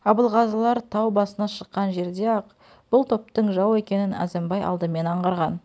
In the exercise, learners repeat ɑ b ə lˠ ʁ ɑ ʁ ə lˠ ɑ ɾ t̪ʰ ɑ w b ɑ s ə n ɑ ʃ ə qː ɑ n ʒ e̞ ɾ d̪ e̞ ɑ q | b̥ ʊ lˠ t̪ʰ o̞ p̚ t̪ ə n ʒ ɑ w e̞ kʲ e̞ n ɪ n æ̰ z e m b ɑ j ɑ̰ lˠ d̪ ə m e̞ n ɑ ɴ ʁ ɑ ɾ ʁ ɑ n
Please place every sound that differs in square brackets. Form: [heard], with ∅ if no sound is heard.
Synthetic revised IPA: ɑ b ə lˠ ʁ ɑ [z] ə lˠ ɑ ɾ t̪ʰ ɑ w b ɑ s ə n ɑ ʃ ə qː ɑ n ʒ e̞ ɾ d̪ e̞ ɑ q | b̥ ʊ lˠ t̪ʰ o̞ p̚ t̪ ə [ɴ] ʒ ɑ w e̞ kʲ e̞ n ɪ n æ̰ z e m b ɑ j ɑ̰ lˠ d̪ ə m e̞ n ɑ ɴ ʁ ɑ ɾ ʁ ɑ n